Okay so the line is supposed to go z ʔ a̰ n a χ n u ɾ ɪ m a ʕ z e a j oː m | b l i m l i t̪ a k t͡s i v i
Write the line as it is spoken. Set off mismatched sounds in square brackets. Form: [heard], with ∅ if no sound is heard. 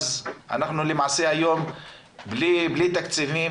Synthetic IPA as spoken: z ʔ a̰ n a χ n u [l] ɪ m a ʕ [s] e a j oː m | b l i [b] l i t̪ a k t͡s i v i